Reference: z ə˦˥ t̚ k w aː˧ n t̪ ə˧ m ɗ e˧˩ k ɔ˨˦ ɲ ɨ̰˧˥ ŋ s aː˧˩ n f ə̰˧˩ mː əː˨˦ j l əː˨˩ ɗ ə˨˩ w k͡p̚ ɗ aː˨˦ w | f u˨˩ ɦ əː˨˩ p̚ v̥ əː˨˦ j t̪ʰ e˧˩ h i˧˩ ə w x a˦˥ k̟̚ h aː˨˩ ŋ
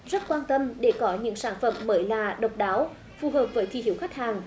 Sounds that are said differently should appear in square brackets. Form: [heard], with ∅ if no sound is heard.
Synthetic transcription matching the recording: z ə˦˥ t̚ k w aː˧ n t̪ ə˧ m ɗ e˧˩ k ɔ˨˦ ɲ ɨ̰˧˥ ŋ s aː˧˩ n f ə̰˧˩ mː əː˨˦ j l [aː˨˩] ɗ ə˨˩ w k͡p̚ ɗ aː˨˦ w | f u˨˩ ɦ əː˨˩ p̚ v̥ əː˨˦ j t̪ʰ [i˧˩] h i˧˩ ə w x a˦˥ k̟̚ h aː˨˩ ŋ

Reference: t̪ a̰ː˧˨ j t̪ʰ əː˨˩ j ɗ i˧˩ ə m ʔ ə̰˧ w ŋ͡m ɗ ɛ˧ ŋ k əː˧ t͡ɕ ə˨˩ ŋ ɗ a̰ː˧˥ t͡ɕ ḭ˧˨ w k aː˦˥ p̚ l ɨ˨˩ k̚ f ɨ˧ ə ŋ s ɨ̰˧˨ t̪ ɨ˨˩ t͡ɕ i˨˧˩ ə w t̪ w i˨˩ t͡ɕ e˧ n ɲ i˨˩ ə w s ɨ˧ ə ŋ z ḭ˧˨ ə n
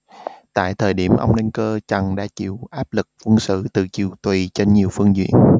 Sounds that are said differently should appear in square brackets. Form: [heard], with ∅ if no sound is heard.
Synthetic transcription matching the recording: t̪ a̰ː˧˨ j t̪ʰ əː˨˩ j ɗ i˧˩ ə m ʔ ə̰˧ w ŋ͡m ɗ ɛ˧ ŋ k əː˧ t͡ɕ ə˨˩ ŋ ɗ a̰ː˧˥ t͡ɕ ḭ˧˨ w [ʔ] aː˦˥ p̚ l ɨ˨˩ k̚ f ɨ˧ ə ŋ s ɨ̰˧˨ t̪ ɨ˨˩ t͡ɕ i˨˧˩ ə w t̪ w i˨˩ t͡ɕ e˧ n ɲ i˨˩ ə w [f] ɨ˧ ə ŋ z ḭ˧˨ ə n

